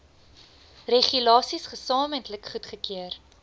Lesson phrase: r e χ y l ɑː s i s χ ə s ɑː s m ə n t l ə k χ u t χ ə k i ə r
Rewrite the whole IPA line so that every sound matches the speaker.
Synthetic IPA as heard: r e χ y l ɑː s i s χ ə s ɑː m ə n t l ə k χ u t χ ə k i ə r